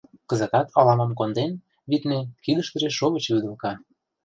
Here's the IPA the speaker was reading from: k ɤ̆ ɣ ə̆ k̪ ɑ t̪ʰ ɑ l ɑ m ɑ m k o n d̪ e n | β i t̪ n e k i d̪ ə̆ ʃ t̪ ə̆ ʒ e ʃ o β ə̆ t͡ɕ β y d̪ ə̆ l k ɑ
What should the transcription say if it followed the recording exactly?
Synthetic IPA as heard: k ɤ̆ z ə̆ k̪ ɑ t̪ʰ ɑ l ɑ m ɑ m k o n d̪ e n | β i t̪ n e k i d̪ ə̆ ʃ t̪ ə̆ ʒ e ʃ o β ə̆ t͡ɕ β y d̪ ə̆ l k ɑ